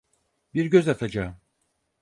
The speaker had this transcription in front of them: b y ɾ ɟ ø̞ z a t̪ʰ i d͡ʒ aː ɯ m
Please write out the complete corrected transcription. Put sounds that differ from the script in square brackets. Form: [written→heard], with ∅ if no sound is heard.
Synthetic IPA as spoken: b [y→i] ɾ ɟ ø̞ z a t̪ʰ [i→a] d͡ʒ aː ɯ m